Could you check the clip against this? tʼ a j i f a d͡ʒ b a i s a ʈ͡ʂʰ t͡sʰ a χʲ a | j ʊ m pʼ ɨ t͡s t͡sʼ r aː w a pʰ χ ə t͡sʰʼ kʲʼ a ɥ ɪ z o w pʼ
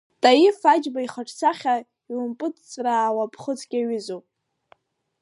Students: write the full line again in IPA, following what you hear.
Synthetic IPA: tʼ a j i f a d͡ʒ b a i χ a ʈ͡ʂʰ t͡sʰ a χʲ a | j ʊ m pʼ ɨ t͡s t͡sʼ r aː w a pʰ χ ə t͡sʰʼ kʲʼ a ɥ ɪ z o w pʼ